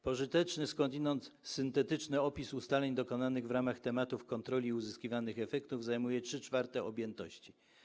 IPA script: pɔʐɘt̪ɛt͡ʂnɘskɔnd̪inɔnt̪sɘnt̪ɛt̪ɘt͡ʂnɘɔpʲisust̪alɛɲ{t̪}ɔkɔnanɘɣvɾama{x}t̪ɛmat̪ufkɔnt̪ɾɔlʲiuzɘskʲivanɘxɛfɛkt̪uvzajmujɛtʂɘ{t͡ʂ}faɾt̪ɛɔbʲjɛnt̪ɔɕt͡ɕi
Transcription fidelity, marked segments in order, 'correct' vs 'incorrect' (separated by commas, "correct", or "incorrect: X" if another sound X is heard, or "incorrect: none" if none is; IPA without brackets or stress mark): incorrect: d̪, correct, correct